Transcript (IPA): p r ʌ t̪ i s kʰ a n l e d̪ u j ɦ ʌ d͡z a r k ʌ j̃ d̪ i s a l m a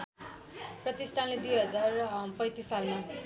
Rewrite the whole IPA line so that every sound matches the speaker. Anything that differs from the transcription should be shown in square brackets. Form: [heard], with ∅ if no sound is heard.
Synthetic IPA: p r ʌ t̪ i s [ʈʰ] a n l e d̪ u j ɦ ʌ d͡z a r [p] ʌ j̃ [t̪] i s a l m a